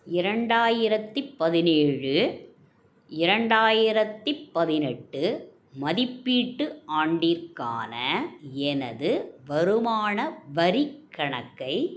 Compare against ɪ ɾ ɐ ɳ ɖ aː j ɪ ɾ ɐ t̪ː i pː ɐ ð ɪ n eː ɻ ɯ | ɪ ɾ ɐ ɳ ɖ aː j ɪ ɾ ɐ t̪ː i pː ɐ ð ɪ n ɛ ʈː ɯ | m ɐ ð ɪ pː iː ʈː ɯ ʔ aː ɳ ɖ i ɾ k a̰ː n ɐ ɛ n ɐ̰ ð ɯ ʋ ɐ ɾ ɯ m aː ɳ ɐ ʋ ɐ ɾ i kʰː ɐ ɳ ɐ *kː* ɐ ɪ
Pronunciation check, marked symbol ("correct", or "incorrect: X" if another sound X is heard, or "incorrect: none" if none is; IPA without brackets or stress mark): correct